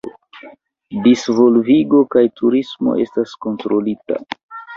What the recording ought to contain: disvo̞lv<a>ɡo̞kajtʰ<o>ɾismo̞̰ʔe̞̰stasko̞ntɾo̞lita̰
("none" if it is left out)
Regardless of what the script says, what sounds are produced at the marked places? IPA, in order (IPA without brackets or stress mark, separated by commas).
i, u